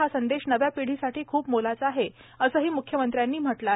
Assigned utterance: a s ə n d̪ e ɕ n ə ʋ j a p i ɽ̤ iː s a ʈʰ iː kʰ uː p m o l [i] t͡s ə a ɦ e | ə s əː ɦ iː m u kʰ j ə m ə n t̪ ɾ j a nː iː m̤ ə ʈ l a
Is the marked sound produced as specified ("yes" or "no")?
no